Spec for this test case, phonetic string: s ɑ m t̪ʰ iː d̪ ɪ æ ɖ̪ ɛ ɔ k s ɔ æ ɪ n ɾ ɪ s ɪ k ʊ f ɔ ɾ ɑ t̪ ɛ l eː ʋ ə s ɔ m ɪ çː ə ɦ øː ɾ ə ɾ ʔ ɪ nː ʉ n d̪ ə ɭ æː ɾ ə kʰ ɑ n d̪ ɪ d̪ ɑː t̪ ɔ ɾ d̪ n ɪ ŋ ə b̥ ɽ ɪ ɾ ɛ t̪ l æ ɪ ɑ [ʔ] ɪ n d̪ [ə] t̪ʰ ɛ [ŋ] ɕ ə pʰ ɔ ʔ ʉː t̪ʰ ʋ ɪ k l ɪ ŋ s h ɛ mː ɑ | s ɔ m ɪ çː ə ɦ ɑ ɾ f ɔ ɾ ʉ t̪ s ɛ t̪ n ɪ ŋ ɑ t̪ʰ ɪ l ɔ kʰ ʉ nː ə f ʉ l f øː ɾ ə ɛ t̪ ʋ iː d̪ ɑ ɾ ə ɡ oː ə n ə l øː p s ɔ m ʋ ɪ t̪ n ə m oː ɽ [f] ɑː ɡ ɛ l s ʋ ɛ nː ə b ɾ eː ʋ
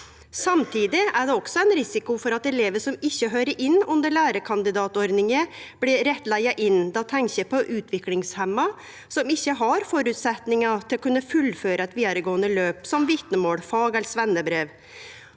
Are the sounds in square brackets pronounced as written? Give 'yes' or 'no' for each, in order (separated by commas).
yes, no, yes, yes